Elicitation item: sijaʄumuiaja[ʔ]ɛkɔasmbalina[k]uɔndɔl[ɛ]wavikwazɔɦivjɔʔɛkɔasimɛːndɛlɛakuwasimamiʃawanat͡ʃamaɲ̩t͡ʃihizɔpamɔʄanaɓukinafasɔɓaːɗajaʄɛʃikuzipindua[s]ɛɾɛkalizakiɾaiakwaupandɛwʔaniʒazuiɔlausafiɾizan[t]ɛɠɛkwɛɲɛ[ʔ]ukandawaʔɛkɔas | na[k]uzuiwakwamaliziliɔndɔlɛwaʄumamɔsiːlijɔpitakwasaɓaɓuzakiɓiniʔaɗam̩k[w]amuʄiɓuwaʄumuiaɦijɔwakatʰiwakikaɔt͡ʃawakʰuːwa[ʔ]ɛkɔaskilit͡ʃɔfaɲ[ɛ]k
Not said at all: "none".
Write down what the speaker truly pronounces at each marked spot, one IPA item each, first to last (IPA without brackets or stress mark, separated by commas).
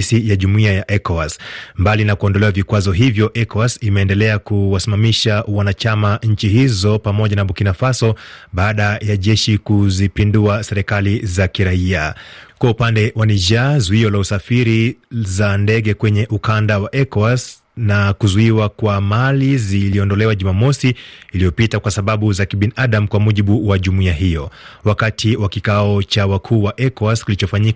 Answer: ʔ, k, ɛ, s, d, ʔ, k, w, ʔ, i